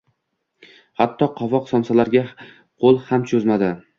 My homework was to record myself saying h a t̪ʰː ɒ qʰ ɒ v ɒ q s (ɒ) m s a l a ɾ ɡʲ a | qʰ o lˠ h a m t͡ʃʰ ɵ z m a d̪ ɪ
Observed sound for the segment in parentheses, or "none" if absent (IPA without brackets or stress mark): ɒ